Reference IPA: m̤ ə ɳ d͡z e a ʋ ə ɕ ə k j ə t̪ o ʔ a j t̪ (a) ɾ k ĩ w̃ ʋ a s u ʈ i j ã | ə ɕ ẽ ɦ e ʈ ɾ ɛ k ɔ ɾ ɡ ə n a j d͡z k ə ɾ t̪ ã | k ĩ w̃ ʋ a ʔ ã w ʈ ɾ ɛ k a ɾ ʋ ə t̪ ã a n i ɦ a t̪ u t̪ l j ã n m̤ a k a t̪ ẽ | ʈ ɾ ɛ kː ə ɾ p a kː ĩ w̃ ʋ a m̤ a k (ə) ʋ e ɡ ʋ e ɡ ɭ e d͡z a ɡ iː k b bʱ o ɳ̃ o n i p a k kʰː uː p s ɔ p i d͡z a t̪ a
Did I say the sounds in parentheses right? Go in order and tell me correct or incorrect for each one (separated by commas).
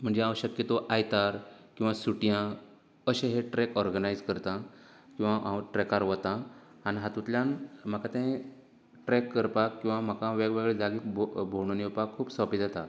correct, incorrect